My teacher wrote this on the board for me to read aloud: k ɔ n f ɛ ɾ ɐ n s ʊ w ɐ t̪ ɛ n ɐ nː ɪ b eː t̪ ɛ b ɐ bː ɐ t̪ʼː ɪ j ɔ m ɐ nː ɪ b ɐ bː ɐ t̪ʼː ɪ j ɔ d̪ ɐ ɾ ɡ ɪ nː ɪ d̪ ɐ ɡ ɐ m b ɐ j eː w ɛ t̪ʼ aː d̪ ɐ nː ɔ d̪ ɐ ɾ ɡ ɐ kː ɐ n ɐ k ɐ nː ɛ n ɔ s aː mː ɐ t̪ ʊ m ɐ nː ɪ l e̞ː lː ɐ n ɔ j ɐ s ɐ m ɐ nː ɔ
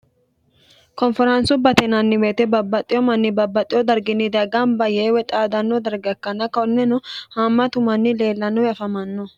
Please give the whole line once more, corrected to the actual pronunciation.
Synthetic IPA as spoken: k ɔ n f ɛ ɾ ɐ n s ʊ b ɐ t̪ ɛ n ɐ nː ɪ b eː t̪ ɛ b ɐ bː ɐ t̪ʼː ɪ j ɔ m ɐ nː ɪ b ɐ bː ɐ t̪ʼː ɪ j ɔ d̪ ɐ ɾ ɡ ɪ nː ɪ d̪ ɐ ɡ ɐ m b ɐ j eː w ɛ t̪ʼ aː d̪ ɐ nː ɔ d̪ ɐ ɾ ɡ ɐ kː ɐ n ɐ k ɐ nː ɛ n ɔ h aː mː ɐ t̪ ʊ m ɐ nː ɪ l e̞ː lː ɐ n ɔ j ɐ f ɐ m ɐ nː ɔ